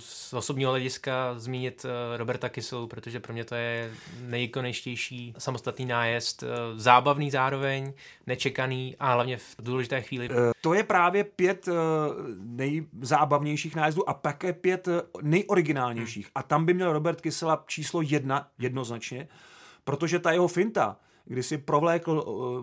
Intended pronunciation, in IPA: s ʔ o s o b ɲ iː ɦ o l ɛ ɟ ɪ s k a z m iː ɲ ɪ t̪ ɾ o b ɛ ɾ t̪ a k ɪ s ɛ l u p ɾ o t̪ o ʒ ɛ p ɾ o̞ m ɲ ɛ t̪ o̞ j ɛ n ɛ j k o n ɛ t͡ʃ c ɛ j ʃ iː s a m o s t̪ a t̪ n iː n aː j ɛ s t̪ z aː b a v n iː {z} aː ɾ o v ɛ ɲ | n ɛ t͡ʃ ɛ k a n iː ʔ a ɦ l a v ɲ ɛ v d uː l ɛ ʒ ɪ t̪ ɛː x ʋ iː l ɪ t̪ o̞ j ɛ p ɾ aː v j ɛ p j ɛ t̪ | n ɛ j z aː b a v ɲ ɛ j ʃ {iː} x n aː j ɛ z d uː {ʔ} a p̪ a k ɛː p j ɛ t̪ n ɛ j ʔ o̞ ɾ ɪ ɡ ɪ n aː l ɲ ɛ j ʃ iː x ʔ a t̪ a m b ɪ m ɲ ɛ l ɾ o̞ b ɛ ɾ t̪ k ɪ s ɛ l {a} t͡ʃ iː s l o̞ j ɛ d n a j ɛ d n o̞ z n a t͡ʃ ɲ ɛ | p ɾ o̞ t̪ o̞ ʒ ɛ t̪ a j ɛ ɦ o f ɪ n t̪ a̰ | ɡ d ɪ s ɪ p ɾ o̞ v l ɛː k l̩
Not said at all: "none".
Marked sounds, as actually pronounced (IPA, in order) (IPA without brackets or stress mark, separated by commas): z, iː, ʔ, a